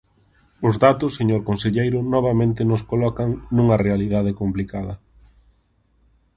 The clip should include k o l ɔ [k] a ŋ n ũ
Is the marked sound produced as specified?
yes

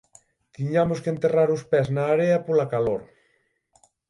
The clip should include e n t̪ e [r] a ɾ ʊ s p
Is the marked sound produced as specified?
yes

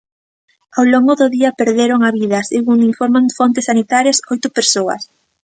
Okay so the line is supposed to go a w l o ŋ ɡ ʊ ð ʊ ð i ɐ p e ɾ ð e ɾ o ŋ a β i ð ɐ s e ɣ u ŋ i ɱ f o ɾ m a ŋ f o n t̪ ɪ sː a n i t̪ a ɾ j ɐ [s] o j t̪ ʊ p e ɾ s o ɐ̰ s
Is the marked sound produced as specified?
yes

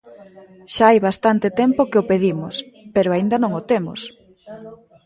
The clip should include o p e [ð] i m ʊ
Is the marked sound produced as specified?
yes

